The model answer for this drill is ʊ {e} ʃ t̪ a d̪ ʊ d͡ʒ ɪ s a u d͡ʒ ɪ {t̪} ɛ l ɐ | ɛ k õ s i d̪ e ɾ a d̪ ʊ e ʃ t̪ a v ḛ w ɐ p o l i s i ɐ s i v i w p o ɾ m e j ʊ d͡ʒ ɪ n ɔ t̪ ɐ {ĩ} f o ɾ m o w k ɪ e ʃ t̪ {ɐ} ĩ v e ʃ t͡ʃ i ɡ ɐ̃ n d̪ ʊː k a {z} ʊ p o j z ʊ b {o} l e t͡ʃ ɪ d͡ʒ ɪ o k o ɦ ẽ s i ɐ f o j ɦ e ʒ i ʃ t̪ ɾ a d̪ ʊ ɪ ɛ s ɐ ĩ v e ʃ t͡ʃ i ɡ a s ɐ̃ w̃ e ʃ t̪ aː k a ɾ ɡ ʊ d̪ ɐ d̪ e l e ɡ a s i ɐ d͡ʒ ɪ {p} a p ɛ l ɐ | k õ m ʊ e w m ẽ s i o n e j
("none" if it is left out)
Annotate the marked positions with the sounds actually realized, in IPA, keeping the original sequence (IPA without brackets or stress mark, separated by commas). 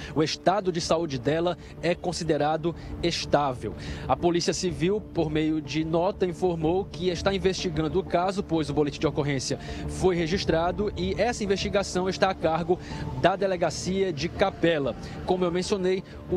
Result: e, d̪, ĩ, a, z, o, k